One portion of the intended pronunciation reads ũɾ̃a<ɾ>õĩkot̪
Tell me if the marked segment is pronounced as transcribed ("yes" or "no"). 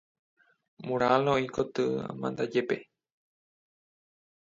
no